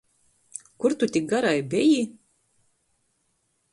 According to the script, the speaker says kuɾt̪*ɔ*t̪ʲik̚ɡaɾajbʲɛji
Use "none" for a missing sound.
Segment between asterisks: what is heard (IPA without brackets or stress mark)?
u